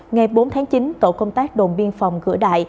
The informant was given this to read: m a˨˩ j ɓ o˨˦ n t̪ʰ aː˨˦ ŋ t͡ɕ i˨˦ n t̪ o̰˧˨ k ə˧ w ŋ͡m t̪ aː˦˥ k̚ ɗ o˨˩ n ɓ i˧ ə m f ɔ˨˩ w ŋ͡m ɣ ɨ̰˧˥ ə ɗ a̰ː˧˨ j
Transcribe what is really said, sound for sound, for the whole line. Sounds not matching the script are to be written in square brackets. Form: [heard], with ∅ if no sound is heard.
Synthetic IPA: [ŋ] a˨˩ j ɓ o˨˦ n t̪ʰ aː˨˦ ŋ t͡ɕ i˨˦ n t̪ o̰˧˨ k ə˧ w ŋ͡m t̪ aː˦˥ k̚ ɗ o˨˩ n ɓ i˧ ə [n] f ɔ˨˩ w ŋ͡m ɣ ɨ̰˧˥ ə ɗ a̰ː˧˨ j